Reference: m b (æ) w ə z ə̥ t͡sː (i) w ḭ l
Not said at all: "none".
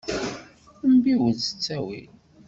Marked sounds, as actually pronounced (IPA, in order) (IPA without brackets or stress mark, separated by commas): i, æ